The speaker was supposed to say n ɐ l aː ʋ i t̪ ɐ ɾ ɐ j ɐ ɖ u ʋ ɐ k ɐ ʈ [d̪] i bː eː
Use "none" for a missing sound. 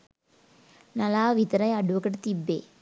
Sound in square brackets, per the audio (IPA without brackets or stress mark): t̪